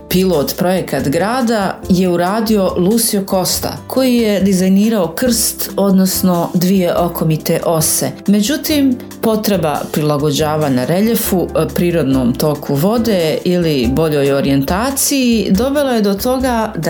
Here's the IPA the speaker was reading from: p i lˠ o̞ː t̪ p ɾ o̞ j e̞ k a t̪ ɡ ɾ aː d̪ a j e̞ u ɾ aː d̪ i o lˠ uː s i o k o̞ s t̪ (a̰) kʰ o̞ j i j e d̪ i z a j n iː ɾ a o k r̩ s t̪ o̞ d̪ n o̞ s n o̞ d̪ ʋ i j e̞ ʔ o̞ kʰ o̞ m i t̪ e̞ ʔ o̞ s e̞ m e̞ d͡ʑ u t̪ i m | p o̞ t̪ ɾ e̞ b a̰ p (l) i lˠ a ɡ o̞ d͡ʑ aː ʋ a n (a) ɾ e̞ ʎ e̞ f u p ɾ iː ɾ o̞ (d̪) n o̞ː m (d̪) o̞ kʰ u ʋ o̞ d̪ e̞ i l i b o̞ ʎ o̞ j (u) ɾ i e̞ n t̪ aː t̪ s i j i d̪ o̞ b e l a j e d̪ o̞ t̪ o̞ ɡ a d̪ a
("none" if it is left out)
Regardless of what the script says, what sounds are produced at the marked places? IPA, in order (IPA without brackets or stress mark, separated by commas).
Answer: a̰, ɾ, a, d̪, t̪, o